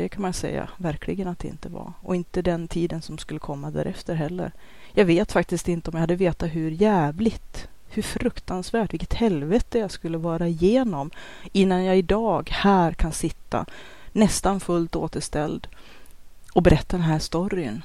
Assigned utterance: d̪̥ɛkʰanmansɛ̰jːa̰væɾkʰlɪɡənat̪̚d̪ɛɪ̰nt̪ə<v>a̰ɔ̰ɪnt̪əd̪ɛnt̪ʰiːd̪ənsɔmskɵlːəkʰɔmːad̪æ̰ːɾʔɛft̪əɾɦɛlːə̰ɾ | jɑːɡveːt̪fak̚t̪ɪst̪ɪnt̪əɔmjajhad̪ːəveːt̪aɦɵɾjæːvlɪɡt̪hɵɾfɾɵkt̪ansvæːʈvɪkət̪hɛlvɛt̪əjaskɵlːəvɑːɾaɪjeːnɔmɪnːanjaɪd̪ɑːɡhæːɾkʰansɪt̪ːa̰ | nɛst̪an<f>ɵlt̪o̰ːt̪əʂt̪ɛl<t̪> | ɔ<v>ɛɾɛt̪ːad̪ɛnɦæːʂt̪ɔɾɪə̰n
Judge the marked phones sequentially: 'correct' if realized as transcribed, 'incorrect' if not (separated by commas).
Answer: correct, correct, incorrect, incorrect